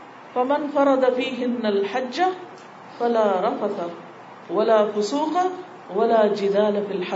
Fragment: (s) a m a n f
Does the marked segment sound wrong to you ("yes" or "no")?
yes